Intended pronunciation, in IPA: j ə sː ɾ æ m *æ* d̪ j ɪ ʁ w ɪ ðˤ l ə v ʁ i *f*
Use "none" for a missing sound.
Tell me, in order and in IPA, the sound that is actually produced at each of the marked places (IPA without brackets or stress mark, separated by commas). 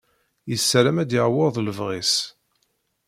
æ, s